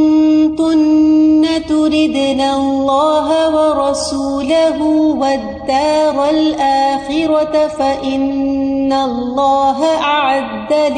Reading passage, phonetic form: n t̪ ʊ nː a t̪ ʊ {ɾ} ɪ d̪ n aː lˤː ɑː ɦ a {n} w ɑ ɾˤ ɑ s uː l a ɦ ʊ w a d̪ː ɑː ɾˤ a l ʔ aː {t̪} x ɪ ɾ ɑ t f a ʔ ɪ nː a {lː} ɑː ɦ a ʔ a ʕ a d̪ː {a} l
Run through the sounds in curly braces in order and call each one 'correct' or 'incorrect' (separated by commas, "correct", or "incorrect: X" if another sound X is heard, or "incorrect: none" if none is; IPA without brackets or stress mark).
correct, incorrect: none, incorrect: none, correct, correct